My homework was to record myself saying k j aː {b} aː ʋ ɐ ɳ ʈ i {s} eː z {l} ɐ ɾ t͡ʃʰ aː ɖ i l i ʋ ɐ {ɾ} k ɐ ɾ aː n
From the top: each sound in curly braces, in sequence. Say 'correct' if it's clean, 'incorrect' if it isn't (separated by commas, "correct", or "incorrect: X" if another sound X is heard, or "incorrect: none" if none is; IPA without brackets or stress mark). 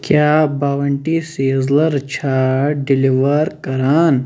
correct, correct, correct, correct